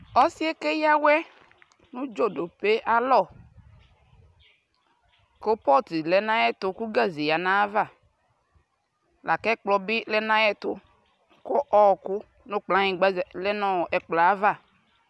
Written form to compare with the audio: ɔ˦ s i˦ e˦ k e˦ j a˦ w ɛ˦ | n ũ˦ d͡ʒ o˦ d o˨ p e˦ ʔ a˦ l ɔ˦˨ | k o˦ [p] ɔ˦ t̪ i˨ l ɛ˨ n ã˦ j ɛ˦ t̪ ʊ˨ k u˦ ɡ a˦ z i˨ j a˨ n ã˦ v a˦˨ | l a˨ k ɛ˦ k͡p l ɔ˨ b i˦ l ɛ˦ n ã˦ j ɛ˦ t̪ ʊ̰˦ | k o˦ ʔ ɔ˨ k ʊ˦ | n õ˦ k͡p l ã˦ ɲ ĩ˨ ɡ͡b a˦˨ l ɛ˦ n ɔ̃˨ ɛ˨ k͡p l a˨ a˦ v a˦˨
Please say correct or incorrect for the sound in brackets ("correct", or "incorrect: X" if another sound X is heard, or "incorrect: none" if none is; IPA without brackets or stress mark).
correct